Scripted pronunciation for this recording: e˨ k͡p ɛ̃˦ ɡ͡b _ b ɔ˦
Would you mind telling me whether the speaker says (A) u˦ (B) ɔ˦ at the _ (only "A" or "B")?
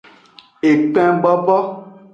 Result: B